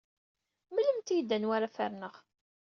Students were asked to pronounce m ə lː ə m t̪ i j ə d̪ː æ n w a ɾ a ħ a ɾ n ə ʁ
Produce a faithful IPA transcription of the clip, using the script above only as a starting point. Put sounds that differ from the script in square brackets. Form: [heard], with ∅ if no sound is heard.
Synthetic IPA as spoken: m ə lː ə m t̪ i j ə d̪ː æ n w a ɾ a [f] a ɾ n ə ʁ